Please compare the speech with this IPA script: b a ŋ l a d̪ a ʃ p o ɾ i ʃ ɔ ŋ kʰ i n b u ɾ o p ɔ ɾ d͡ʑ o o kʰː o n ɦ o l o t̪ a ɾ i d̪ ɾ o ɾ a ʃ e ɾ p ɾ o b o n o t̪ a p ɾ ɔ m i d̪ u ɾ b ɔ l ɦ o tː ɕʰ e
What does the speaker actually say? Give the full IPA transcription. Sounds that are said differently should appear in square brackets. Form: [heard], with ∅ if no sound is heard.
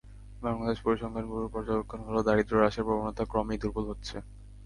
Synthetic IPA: b a ŋ l a d̪ [e] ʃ p o ɾ i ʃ ɔ ŋ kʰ [a] n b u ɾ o p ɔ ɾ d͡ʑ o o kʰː o n ɦ o l o [d̪] a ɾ i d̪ ɾ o ɾ a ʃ e ɾ p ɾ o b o n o t̪ a [k] ɾ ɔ m i d̪ u ɾ b [u] l ɦ o tː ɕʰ e